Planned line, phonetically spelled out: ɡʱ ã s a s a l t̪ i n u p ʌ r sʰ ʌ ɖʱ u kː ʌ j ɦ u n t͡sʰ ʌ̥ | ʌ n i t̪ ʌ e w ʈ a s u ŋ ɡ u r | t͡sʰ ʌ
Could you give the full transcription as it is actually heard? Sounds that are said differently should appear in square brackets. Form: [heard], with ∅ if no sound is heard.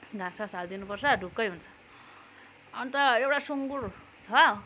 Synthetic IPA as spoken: ɡʱ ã s a s a l [d̪] i n u p ʌ r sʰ ʌ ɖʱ u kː ʌ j ɦ u n t͡sʰ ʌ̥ | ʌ n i t̪ ʌ e w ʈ a s u ŋ ɡ u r | t͡sʰ ʌ